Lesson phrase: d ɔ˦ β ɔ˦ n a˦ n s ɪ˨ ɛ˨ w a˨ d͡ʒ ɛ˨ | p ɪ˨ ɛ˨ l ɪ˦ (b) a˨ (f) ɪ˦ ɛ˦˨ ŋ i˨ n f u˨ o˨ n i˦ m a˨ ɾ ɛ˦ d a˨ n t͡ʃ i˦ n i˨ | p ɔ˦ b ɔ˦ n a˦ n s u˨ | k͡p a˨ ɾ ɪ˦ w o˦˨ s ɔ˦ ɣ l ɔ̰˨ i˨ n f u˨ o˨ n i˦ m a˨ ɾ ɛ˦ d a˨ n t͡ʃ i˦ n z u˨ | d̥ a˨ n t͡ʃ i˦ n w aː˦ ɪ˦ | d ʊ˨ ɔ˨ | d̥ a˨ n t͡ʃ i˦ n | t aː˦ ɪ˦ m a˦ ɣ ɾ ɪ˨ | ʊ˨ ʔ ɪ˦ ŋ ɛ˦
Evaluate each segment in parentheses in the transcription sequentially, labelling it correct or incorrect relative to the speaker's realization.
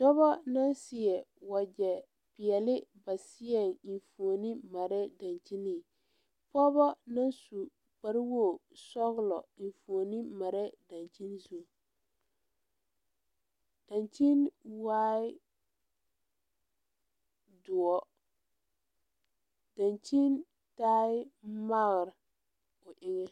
correct, incorrect: s

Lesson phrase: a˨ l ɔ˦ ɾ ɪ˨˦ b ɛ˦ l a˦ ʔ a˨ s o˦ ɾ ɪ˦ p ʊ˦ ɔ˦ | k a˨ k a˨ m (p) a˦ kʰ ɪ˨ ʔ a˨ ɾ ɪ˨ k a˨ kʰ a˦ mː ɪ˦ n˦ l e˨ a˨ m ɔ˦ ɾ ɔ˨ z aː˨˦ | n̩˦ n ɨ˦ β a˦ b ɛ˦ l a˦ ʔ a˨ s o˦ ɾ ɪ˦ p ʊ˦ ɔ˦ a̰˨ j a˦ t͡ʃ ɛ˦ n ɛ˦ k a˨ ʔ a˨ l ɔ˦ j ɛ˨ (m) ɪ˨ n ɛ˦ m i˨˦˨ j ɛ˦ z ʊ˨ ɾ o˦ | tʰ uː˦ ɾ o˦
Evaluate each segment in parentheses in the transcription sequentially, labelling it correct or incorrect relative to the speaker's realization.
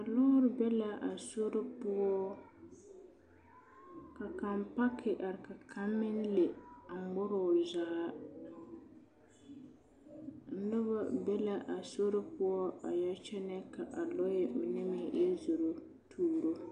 correct, correct

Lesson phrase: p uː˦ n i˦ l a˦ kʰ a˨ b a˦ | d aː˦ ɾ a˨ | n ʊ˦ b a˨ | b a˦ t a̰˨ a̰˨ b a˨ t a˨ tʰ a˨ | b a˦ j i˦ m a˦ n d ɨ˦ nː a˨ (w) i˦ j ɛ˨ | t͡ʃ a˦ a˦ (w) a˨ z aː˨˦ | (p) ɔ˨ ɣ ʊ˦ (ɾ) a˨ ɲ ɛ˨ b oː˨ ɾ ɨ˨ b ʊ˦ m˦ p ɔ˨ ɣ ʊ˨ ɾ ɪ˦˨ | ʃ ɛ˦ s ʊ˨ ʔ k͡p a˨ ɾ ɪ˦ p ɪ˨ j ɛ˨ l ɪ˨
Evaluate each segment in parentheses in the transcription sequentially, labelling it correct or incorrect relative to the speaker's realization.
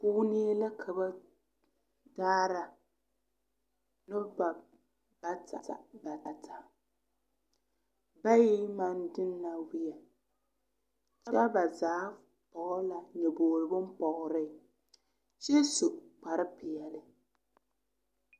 correct, incorrect: b, correct, incorrect: l

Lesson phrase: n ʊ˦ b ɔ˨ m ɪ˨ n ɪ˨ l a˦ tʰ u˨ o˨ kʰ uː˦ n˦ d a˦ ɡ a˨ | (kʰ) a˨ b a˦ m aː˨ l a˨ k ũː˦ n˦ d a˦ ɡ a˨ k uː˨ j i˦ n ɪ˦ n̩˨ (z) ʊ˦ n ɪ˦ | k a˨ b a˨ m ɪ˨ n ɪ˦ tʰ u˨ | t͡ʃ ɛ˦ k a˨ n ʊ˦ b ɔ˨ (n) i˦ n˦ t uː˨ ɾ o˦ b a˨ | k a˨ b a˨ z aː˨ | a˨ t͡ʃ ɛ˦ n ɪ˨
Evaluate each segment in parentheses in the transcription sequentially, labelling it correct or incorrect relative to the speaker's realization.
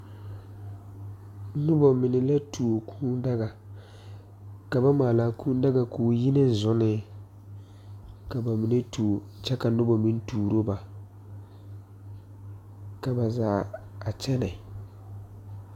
incorrect: k, correct, incorrect: m

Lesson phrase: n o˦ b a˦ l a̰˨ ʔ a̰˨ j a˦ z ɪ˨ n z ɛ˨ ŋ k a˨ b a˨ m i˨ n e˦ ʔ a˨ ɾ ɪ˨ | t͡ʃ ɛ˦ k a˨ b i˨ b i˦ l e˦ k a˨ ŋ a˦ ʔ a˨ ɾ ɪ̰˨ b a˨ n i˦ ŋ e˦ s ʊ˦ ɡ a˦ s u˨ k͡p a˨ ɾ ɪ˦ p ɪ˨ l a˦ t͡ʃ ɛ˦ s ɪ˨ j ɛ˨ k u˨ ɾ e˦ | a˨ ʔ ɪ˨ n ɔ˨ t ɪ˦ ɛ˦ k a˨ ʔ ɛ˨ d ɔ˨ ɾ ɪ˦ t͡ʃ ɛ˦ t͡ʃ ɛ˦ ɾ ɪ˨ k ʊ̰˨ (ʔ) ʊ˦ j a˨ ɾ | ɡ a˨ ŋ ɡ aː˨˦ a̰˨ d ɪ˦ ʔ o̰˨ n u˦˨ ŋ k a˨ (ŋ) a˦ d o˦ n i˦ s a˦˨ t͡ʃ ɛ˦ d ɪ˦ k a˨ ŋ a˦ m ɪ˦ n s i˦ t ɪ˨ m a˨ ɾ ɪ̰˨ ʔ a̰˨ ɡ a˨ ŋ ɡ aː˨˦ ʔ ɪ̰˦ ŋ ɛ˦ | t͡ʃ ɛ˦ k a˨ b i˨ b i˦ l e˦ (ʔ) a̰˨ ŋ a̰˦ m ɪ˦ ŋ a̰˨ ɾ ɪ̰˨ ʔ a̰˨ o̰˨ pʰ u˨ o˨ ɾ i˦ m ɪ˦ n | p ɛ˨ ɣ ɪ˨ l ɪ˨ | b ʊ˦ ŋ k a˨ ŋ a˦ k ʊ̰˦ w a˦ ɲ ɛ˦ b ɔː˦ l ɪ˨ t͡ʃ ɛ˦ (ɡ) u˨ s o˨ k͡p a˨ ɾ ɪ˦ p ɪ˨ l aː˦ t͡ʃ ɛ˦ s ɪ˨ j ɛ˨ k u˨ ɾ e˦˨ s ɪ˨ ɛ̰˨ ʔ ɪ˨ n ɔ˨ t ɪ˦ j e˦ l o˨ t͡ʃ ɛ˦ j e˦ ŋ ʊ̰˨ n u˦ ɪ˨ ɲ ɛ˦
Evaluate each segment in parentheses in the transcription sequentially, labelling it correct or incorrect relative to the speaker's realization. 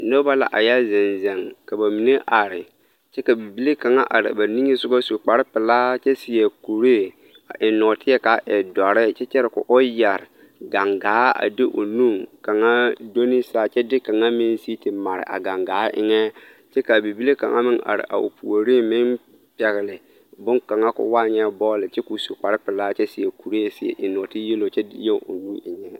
correct, correct, incorrect: k, incorrect: k

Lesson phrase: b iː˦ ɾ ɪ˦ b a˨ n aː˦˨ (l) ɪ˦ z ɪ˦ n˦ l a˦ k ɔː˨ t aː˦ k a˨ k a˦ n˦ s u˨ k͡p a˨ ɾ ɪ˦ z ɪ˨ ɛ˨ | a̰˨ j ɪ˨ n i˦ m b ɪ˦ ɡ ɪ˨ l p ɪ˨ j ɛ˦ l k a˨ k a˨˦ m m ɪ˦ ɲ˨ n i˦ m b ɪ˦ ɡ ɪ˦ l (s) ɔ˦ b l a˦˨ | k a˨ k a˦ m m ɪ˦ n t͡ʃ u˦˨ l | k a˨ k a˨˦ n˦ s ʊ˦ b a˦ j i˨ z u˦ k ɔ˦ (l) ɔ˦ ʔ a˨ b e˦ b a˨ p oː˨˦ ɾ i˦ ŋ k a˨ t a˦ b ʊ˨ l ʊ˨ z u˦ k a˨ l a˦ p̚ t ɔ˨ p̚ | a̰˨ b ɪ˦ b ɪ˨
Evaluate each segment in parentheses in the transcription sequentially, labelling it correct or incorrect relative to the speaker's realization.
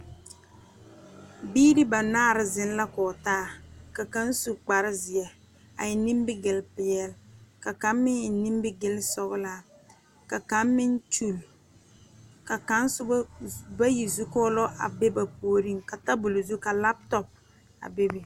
incorrect: ɾ, correct, correct

